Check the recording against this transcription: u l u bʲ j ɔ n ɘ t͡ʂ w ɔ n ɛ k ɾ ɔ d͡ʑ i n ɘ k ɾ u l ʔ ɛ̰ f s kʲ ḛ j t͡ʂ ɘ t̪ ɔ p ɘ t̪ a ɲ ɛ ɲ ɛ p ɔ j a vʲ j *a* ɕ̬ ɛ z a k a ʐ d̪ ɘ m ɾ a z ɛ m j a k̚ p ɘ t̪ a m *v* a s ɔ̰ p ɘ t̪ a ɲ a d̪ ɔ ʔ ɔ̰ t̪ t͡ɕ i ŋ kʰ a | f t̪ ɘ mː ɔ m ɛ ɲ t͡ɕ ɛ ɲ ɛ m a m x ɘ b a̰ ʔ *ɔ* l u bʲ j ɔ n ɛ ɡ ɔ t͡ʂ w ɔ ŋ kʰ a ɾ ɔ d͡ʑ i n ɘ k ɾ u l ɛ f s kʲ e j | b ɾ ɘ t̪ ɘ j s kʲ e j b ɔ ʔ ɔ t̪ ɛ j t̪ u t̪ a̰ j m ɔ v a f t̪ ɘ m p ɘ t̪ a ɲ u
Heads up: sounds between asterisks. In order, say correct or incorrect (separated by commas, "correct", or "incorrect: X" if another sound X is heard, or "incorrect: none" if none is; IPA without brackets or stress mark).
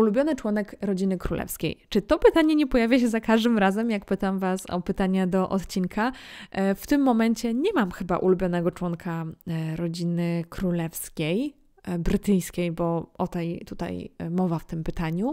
correct, correct, incorrect: u